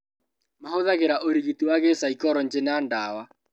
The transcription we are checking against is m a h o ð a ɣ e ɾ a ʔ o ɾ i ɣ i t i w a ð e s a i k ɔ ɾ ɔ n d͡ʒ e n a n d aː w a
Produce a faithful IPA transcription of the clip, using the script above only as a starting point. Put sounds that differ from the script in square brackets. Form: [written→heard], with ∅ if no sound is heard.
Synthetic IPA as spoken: m a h o ð a ɣ e ɾ a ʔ o ɾ i ɣ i t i w a [ð→ɣ] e s a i k ɔ ɾ ɔ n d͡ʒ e n a n d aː w a